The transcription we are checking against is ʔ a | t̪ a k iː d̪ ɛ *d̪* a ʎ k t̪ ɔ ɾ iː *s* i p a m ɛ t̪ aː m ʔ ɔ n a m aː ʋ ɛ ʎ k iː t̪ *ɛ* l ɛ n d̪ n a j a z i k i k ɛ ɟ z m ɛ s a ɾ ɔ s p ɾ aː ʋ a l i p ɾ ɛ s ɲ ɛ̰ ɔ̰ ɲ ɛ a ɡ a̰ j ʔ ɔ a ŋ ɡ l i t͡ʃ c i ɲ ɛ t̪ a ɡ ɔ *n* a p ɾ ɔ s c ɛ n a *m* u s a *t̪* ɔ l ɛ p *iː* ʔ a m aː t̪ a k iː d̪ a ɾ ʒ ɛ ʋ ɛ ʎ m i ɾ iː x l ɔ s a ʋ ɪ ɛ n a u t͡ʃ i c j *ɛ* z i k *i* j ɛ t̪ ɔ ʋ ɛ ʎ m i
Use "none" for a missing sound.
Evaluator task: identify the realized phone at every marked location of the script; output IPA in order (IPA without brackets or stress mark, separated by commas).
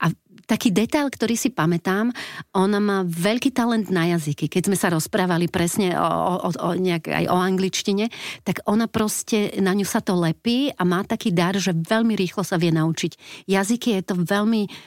t̪, s, a, n, ɲ, t̪, iː, a, i